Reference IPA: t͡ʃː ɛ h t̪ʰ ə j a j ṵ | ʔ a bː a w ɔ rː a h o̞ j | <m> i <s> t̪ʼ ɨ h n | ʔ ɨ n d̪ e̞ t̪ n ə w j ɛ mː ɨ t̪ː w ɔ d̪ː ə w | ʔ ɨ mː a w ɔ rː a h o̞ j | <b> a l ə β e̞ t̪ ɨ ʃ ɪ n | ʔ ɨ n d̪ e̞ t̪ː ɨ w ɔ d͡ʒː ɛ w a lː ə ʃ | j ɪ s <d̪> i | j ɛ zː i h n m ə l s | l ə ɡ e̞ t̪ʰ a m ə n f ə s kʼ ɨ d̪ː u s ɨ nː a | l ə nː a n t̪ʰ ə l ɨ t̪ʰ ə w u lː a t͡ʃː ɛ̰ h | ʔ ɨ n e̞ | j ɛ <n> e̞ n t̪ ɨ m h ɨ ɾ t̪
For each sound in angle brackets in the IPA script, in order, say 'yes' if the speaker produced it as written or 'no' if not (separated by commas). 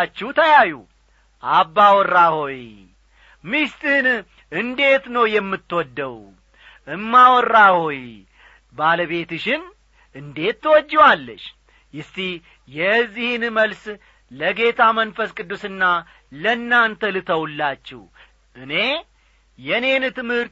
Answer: yes, yes, yes, no, yes